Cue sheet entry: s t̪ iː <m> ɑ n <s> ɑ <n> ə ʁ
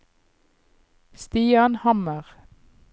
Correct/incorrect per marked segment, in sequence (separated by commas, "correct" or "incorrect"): incorrect, incorrect, incorrect